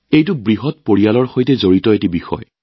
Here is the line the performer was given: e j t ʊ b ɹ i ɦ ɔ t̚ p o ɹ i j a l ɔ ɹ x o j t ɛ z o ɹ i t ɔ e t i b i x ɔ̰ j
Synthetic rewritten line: e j t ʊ b ɹ i ɦ ɔ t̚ p o ɹ i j a l ɔ ɹ x o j t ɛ z o ɹ i t ɔ e t i b i x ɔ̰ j

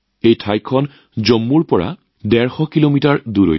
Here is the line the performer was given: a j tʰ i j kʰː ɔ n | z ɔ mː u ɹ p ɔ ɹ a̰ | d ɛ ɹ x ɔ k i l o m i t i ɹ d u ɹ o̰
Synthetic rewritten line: e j tʰ a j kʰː ɔ n | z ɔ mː u ɹ p ɔ ɹ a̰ | d ɛ ɹ x ɔ k i l o m i t a ɹ d u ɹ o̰

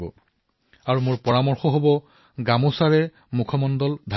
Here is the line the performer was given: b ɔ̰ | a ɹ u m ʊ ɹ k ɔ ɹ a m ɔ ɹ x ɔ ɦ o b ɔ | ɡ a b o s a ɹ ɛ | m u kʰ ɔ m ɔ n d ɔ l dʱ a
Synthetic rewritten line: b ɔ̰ | a ɹ u m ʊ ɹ p ɔ ɹ a m ɔ ɹ x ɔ ɦ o b ɔ | ɡ a m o s a ɹ ɛ | m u kʰ ɔ m ɔ n d ɔ l dʱ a

